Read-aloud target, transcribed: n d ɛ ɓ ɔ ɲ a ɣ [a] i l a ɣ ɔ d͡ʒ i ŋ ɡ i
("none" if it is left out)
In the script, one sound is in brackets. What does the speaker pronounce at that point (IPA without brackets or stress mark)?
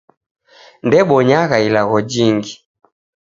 a